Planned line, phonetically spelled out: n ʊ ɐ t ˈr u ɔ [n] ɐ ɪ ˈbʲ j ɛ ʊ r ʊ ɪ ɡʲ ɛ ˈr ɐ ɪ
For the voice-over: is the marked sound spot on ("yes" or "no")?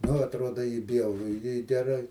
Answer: no